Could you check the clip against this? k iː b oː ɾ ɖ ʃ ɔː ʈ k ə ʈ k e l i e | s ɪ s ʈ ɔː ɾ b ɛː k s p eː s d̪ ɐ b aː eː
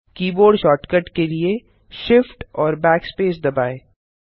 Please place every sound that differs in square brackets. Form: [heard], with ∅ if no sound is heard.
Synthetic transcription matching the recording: k iː b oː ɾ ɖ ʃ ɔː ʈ k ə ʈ k e l i e | [ʃ] ɪ [f] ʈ ɔː ɾ b ɛː k s p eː s d̪ ɐ b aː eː